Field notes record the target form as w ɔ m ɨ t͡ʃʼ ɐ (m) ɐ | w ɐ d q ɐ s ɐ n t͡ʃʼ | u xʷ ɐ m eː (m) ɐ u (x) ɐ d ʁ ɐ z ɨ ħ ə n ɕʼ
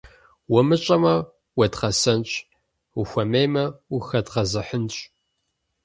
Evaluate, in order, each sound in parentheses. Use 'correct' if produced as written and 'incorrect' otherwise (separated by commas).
correct, correct, correct